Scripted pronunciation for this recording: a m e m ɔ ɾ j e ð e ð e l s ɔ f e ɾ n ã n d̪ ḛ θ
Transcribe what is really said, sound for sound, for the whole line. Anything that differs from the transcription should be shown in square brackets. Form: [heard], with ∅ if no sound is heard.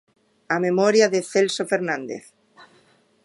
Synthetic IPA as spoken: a m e m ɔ ɾ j [a] ð e [θ] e l s [o] f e ɾ n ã n d̪ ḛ θ